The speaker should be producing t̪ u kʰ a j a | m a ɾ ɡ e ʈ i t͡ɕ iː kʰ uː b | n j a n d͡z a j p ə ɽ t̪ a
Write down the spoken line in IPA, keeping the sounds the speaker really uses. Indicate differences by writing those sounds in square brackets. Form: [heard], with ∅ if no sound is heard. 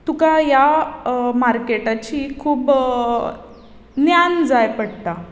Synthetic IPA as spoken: t̪ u [k] a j a | m a ɾ [k] e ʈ [a] t͡ɕ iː kʰ uː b | n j a n d͡z a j p ə ɽ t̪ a